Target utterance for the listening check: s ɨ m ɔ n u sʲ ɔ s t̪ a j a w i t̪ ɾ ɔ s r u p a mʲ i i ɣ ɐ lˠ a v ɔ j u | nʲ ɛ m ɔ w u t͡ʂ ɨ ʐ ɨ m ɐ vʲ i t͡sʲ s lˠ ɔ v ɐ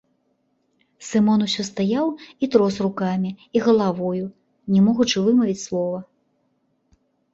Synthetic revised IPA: s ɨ m ɔ n u sʲ ɔ s t̪ a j a w i t̪ ɾ ɔ s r u k a mʲ i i ɣ ɐ lˠ a v ɔ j u | nʲ ɛ m ɔ ɣ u t͡ʂ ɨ v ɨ m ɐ vʲ i t͡sʲ s lˠ ɔ v ɐ